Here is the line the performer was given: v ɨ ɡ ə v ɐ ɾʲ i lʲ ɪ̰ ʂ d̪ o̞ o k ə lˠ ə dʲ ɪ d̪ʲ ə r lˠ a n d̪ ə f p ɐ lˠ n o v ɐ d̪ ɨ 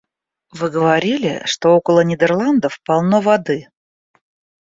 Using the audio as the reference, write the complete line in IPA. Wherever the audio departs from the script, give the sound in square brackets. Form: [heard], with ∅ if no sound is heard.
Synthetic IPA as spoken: v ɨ ɡ ə v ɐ ɾʲ i lʲ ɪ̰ ʂ [t̪] o̞ o k ə lˠ ə [nʲ] ɪ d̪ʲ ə r lˠ a n d̪ ə f p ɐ lˠ n o v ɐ d̪ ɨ